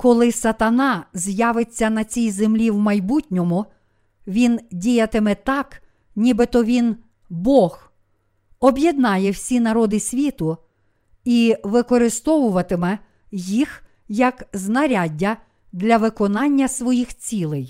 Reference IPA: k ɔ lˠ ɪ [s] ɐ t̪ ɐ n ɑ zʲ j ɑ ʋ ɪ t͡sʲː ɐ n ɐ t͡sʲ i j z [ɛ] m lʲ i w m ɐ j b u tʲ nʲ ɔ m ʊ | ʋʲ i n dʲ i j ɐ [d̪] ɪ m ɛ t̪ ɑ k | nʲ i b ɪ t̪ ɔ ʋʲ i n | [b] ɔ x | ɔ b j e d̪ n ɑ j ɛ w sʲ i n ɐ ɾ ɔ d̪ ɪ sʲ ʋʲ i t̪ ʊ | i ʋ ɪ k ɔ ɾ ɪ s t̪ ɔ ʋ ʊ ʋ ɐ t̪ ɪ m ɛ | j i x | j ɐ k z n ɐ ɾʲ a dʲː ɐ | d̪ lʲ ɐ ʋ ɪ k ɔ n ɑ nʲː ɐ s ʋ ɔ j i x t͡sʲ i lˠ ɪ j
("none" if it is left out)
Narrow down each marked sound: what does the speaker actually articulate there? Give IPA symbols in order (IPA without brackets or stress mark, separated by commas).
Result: s, e, t̪, b